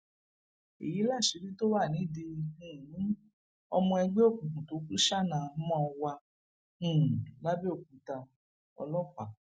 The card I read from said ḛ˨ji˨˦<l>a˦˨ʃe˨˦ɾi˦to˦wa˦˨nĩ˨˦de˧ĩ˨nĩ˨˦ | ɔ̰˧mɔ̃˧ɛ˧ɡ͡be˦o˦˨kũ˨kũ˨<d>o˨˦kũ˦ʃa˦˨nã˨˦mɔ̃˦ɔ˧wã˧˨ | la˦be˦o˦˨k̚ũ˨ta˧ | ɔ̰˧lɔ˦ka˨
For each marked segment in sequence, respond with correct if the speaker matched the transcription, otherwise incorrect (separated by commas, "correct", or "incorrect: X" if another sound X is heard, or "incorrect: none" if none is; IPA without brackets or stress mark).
correct, incorrect: t